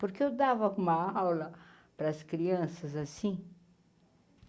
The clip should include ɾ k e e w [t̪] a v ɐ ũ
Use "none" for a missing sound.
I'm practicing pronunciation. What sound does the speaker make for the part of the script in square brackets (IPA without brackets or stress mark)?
d̪